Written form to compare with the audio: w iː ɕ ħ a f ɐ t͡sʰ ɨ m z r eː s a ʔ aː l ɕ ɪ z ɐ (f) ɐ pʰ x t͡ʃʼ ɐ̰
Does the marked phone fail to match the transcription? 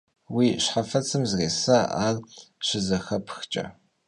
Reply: yes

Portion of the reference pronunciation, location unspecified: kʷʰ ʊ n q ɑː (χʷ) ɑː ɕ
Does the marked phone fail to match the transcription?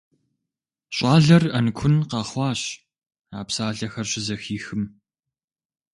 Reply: no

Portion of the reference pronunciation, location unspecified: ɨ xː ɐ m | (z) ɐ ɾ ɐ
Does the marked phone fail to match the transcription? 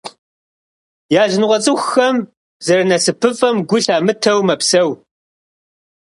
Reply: no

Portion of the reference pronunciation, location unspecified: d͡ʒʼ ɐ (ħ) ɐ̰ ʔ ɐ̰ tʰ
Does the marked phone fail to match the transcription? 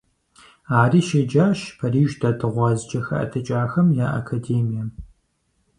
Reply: yes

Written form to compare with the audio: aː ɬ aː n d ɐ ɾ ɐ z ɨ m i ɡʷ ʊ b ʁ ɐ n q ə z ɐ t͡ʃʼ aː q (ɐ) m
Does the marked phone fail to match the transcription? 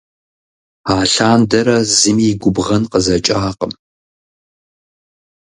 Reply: yes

